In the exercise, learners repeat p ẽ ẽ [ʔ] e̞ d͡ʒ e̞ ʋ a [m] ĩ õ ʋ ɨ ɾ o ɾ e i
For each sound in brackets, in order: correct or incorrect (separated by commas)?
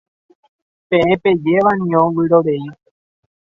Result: incorrect, incorrect